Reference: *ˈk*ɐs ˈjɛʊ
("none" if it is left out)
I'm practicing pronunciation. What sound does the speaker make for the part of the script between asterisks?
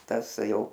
t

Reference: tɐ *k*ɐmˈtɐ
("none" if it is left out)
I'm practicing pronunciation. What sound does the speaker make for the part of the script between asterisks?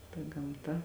ɡ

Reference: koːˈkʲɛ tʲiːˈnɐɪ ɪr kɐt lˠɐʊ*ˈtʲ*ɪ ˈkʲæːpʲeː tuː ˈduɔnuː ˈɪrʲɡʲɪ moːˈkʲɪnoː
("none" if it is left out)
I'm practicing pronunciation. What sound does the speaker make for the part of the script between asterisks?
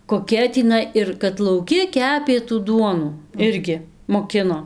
kʲ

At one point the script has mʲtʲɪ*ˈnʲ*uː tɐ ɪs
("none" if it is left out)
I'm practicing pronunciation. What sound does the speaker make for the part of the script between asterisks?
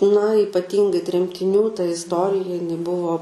nʲ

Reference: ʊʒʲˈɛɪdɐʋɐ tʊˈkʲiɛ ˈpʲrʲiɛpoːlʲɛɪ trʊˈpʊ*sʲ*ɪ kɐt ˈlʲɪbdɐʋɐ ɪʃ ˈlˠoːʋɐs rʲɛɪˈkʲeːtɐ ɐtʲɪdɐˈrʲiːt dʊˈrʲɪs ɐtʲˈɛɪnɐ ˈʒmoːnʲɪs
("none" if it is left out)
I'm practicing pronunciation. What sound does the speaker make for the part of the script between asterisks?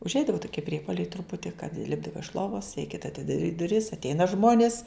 tʲ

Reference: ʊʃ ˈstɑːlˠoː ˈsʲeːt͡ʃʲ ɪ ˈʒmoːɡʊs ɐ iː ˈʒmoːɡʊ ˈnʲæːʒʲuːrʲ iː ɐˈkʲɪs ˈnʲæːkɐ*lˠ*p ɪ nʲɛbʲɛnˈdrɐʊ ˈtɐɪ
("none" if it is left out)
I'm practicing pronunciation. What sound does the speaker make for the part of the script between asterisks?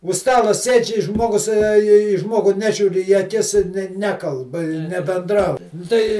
lˠ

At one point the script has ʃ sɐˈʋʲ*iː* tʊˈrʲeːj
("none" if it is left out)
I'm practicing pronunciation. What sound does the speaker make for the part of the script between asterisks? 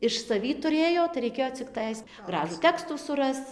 iː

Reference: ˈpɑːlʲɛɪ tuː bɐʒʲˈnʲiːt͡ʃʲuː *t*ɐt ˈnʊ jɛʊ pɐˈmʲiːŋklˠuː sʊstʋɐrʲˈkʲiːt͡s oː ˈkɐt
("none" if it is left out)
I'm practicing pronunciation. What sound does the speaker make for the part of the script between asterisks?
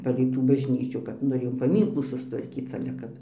k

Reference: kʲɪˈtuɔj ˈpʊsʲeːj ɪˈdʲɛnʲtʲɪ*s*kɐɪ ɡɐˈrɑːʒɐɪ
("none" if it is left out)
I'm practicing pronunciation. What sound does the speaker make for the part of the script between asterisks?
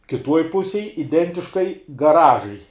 ʃ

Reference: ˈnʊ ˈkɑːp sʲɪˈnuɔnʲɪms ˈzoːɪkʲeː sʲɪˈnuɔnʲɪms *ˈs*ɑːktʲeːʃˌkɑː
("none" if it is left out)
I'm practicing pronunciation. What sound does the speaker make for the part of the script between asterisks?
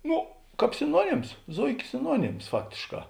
f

